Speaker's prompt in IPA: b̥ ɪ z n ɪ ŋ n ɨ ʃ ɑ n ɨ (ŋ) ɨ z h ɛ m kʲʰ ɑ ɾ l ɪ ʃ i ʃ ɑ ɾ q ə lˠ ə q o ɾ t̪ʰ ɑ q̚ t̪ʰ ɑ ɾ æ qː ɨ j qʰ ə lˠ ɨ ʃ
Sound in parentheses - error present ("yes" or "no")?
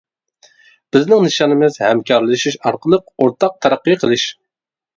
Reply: yes